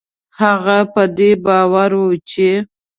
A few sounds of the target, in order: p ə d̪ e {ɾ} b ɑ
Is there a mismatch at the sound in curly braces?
yes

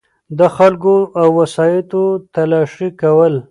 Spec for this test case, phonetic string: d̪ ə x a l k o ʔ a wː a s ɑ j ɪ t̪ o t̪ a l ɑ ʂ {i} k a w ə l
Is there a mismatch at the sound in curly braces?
no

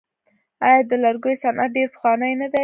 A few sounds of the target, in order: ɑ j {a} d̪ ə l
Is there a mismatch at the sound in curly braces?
yes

